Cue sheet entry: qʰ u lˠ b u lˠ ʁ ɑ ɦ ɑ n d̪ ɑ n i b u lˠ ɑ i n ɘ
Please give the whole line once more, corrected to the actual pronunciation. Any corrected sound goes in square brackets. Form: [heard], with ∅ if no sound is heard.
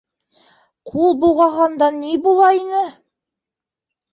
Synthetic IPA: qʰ u lˠ b u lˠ ʁ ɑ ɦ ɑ n d̪ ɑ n i b u lˠ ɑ i n ɘ